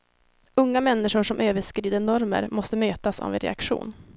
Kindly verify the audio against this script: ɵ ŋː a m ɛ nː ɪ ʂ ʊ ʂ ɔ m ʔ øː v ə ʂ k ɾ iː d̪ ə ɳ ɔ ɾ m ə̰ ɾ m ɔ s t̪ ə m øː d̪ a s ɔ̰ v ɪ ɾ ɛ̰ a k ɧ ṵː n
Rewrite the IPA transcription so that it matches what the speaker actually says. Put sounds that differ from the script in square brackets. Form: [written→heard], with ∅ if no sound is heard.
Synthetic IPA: ɵ ŋː a m ɛ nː ɪ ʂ ʊ ʂ ɔ m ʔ øː v ə ʂ k ɾ iː d̪ ə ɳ ɔ ɾ m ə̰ ɾ m ɔ s t̪ ə m øː [d̪→t̪] a s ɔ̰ v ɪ ɾ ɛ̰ a k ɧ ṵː n